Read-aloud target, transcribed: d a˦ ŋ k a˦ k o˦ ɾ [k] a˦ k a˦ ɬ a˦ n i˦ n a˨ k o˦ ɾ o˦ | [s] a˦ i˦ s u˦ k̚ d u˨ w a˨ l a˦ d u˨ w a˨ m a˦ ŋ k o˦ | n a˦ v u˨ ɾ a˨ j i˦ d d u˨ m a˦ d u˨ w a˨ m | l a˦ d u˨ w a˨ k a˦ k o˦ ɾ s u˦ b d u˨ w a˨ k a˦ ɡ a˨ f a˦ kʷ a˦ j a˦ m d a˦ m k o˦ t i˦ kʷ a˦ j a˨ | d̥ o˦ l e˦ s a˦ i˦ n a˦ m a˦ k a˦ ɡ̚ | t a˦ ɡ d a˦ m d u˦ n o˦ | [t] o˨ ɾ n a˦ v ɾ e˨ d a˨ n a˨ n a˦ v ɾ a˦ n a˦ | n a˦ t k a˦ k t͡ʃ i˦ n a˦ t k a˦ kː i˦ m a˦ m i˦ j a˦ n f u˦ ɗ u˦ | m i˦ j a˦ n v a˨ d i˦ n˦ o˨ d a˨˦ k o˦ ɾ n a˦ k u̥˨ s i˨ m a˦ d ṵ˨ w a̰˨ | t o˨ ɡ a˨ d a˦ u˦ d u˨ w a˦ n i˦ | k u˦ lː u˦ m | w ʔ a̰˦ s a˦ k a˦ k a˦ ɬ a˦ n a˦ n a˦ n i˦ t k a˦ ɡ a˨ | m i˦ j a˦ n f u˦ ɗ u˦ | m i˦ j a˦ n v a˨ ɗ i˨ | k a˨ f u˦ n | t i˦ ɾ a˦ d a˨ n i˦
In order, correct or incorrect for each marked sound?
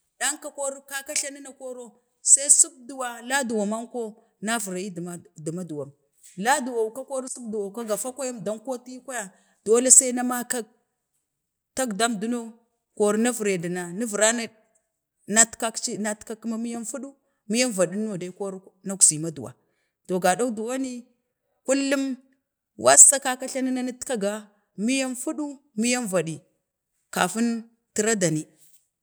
correct, correct, incorrect

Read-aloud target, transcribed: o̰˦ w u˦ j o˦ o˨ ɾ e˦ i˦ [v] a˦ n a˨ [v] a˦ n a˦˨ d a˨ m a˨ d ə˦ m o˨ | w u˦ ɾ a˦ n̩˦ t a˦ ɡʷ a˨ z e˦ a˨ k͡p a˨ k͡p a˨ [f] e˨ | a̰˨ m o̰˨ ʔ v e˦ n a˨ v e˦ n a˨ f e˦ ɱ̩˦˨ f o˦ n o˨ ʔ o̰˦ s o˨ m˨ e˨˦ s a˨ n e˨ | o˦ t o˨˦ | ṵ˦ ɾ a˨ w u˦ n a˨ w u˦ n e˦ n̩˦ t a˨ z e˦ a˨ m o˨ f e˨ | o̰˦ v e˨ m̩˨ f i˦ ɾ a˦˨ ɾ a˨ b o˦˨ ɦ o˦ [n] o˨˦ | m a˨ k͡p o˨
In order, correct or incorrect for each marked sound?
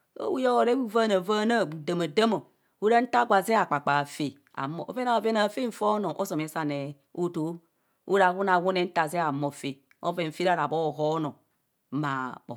correct, correct, correct, correct

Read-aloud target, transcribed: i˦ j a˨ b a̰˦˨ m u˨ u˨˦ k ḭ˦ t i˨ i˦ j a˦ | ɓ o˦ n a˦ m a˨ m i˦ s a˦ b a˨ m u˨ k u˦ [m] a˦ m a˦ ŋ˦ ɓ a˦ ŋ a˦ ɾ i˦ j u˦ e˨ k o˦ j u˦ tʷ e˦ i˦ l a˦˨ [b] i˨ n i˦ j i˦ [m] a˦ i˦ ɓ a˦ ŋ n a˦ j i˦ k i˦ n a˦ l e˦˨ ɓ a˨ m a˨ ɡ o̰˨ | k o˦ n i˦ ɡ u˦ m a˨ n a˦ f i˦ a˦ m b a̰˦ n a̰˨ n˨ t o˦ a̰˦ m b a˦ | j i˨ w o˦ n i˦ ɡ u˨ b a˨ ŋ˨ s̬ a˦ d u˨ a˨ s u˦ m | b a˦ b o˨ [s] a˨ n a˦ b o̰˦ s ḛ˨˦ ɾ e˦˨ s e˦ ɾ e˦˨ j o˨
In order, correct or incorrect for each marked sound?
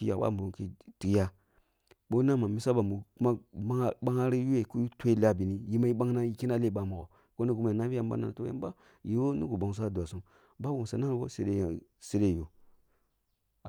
correct, correct, correct, correct

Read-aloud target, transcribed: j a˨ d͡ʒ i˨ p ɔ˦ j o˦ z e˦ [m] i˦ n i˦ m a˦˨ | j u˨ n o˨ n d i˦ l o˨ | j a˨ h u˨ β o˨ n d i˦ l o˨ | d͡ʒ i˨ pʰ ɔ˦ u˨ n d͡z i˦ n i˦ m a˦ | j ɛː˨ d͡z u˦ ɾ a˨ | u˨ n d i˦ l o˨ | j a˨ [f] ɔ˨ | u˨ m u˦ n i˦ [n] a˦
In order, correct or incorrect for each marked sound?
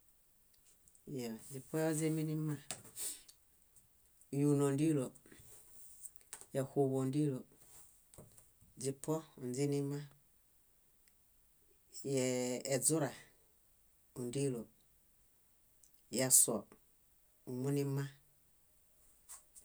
correct, incorrect, incorrect

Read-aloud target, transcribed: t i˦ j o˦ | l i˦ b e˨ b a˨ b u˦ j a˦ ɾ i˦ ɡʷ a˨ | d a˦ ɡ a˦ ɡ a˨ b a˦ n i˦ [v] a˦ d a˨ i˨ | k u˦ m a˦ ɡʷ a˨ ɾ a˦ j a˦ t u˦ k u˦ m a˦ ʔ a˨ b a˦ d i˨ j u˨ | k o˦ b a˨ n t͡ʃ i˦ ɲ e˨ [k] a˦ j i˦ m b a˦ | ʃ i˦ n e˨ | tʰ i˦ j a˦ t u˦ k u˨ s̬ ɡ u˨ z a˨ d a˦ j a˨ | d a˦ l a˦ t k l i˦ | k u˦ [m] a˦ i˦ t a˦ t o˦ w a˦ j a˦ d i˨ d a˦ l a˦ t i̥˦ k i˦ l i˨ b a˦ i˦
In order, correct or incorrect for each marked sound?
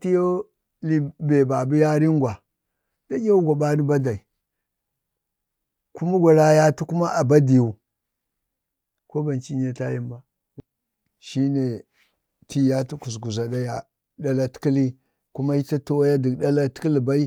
incorrect, incorrect, correct

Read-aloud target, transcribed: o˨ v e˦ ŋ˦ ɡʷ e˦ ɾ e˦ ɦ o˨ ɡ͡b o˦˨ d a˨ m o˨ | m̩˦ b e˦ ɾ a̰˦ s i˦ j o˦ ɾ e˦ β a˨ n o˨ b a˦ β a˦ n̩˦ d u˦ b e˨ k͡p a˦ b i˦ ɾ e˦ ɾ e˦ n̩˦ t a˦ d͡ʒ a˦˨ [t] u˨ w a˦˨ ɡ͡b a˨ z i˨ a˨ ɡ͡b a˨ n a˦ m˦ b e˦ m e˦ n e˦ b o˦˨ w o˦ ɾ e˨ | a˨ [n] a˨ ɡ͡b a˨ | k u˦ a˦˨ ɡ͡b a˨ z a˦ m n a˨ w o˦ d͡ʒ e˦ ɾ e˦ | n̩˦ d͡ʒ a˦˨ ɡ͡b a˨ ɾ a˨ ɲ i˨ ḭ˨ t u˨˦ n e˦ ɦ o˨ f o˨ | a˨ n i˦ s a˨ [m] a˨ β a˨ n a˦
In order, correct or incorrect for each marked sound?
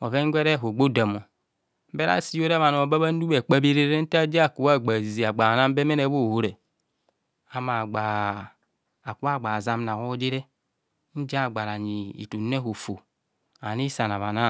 incorrect, incorrect, incorrect

